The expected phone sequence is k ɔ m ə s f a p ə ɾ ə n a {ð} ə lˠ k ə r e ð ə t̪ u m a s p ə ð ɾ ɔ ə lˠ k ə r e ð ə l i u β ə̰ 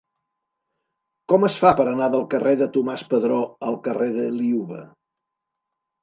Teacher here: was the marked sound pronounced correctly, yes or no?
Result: yes